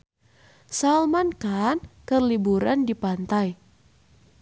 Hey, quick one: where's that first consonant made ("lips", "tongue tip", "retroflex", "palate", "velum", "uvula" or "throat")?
tongue tip